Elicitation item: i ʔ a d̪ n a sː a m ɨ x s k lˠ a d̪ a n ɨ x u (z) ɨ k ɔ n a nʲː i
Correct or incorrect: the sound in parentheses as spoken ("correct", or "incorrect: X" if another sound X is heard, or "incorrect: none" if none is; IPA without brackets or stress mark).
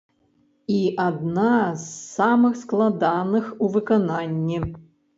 incorrect: v